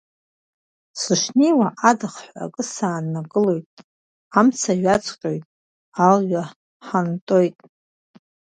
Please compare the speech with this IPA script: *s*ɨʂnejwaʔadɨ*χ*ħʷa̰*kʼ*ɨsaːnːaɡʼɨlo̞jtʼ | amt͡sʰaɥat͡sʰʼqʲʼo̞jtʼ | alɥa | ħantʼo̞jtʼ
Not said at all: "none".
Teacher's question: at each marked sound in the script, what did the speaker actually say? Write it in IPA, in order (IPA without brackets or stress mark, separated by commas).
s, χ, kʼ